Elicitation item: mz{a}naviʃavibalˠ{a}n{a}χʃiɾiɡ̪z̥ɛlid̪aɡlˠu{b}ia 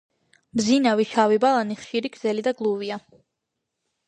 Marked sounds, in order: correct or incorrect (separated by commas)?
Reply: incorrect, correct, incorrect, incorrect